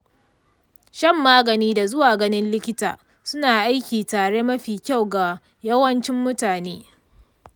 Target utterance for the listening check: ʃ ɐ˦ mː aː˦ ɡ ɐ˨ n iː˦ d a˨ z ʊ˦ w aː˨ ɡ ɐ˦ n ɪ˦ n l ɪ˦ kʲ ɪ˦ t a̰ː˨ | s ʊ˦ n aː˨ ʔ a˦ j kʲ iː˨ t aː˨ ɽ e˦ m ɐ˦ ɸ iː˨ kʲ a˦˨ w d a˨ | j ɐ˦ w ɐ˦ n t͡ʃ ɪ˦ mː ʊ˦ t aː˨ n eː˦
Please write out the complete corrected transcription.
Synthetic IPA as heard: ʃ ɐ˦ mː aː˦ ɡ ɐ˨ n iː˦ d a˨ z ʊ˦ w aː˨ ɡ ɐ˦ n ɪ˦ n l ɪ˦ kʲ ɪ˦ t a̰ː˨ | s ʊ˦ n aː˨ ʔ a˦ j kʲ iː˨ t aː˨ ɽ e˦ m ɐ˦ ɸ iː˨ kʲ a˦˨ w ɡ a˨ | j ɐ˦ w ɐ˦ n t͡ʃ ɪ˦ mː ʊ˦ t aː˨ n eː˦